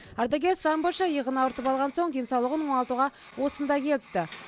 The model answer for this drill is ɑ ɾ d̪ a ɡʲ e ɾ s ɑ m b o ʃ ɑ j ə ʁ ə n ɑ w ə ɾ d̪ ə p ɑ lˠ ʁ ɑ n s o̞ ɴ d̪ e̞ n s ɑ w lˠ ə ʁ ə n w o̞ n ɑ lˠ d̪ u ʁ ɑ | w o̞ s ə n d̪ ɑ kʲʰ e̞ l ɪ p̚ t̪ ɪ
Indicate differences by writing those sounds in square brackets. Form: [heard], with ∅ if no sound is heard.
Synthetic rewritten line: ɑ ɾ d̪ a ɡʲ e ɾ s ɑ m b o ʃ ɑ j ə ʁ ə n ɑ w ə ɾ [t̪] ə p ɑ lˠ ʁ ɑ n s o̞ ɴ d̪ e̞ n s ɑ w lˠ ə ʁ ə n w o̞ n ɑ lˠ [t̪] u ʁ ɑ | w o̞ s ə n d̪ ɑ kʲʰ e̞ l ɪ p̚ t̪ ɪ